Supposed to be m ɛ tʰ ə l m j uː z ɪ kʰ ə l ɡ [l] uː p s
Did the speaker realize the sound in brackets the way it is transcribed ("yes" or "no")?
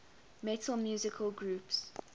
no